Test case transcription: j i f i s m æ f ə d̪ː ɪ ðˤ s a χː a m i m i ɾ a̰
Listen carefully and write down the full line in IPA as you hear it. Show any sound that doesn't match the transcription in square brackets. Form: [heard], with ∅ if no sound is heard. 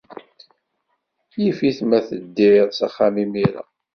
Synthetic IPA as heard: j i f i [θ] m æ [θ] ə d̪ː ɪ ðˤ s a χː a m i m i ɾ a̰